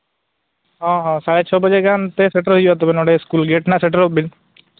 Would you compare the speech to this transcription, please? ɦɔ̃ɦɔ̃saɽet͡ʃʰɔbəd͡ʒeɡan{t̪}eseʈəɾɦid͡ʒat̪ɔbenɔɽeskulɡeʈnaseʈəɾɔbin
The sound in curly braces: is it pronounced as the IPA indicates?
yes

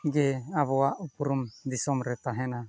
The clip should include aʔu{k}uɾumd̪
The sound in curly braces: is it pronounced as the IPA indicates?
no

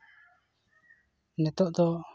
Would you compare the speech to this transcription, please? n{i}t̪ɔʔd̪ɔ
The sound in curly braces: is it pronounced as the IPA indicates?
no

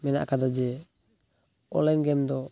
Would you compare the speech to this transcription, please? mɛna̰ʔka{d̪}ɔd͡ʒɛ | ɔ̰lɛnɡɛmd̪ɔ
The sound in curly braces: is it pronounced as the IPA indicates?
yes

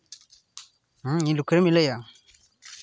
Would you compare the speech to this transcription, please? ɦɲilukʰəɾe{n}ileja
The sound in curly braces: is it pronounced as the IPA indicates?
no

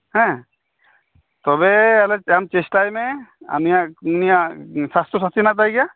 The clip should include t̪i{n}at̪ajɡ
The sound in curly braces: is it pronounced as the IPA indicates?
yes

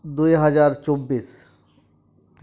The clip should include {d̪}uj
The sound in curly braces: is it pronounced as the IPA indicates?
yes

